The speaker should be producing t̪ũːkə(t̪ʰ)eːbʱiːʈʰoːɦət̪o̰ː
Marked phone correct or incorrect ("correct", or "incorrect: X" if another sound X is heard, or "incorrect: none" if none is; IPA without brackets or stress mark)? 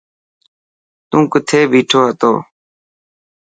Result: correct